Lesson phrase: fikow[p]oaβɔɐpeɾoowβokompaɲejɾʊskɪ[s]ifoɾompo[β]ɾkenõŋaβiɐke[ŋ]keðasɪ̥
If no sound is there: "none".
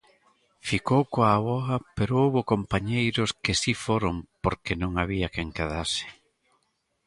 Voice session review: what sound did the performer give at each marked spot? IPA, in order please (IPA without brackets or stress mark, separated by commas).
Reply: k, s, none, ŋ